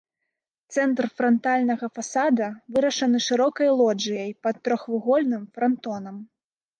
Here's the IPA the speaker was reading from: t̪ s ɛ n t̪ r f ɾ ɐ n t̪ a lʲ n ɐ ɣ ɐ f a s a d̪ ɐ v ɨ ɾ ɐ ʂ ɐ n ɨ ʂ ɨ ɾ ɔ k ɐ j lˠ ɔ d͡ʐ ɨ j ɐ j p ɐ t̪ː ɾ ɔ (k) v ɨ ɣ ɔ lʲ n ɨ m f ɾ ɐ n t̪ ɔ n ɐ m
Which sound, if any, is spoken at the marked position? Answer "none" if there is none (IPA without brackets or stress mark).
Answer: x